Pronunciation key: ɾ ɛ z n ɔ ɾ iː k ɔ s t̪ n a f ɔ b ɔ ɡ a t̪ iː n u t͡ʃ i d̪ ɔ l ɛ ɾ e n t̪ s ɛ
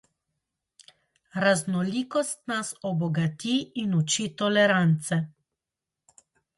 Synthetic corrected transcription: ɾ a z n ɔ l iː k ɔ s t̪ n a s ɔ b ɔ ɡ a t̪ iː n u t͡ʃ i t̪ ɔ l ɛ ɾ a n t̪ s ɛ

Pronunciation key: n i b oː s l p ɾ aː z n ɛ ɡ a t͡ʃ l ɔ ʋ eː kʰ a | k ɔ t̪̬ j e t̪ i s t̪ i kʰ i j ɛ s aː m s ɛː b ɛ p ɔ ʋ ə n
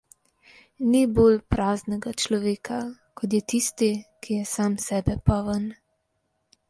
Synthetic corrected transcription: n i b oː l p ɾ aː z n ɛ ɡ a t͡ʃ l ɔ ʋ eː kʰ a | k ɔ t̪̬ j ɛ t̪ i s t̪ i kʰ i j ɛ s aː m s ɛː b ɛ p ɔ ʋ ə n

